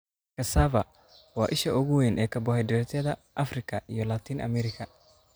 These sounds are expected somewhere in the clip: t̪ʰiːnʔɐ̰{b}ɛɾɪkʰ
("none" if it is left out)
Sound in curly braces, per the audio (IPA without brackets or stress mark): m